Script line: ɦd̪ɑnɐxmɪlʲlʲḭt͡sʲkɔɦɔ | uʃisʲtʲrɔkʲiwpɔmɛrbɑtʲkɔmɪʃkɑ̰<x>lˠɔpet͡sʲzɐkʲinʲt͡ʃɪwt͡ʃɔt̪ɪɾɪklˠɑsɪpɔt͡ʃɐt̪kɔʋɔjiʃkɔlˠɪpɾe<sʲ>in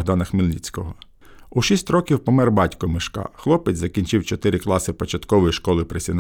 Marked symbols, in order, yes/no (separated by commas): yes, yes